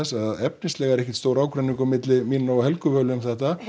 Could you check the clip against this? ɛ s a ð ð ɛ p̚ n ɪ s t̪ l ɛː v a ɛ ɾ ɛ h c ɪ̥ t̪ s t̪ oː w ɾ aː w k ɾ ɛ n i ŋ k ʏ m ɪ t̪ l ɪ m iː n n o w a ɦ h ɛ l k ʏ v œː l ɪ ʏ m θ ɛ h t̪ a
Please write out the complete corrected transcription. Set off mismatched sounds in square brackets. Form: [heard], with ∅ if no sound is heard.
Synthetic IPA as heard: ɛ s a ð ð ɛ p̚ n ɪ s t̪ l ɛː [ɣ] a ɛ ɾ ɛ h c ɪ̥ t̪ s t̪ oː w ɾ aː w k ɾ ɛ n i ŋ k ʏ m ɪ t̪ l ɪ m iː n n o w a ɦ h ɛ l k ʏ v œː l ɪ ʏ m θ ɛ h t̪ a